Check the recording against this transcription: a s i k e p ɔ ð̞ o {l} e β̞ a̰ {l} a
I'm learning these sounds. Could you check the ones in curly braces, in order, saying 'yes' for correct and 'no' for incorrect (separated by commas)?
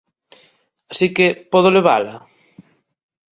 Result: yes, yes